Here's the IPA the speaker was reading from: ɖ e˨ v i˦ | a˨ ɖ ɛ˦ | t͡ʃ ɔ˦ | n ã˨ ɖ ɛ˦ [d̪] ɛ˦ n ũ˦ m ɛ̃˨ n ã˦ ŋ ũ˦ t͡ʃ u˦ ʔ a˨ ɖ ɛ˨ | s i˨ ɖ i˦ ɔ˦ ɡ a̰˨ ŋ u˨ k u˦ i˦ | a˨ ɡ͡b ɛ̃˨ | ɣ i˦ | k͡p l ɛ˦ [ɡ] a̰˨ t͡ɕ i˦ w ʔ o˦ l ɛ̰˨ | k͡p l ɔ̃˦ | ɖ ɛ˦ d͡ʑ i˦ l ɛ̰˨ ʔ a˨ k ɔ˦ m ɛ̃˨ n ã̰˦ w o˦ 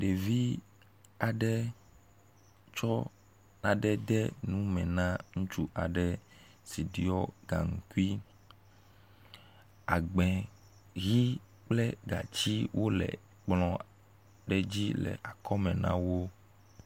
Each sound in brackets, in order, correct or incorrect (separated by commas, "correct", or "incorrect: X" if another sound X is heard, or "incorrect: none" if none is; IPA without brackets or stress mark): correct, correct